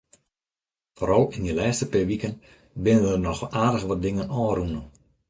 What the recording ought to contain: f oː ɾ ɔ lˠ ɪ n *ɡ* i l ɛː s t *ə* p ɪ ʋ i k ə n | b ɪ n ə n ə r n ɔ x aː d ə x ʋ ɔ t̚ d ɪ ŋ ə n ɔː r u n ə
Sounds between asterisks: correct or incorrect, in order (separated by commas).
incorrect, correct